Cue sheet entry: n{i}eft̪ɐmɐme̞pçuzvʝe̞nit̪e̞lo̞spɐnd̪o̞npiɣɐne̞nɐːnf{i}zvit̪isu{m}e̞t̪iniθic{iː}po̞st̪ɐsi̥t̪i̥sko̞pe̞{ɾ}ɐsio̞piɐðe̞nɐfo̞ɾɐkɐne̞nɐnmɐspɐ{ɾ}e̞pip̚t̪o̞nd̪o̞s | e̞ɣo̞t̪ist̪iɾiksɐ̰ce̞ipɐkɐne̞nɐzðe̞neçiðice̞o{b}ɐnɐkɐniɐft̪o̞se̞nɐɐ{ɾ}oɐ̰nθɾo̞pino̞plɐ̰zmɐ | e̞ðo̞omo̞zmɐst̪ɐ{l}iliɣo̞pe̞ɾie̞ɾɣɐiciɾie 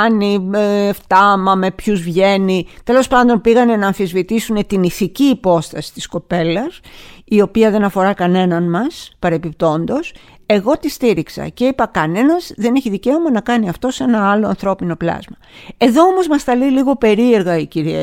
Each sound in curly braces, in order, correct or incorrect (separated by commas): correct, correct, incorrect, correct, incorrect, correct, incorrect, incorrect, correct